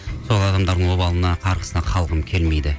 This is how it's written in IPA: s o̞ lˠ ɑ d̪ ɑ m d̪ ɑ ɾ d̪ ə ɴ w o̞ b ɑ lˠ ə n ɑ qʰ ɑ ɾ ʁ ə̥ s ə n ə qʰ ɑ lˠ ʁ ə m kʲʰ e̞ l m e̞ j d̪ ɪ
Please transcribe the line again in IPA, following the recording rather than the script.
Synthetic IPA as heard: s o̞ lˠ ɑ d̪ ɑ m d̪ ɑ ɾ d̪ ə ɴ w o̞ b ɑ lˠ ə n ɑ qʰ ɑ ɾ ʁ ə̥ s ə n ɑ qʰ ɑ lˠ ʁ ə m kʲʰ e̞ l m e̞ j d̪ ɪ